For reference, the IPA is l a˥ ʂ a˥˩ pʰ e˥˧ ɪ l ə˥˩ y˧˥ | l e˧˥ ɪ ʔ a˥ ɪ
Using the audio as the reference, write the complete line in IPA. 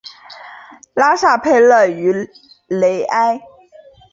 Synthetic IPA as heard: l a˥ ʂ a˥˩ pʰ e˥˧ ɪ l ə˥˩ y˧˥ | l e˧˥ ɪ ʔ a˥ ɪ